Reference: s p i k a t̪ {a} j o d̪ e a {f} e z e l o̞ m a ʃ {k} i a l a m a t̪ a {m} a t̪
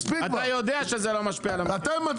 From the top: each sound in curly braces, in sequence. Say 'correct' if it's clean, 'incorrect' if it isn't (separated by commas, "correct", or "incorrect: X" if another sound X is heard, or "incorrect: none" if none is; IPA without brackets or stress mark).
correct, incorrect: ʃ, incorrect: p, correct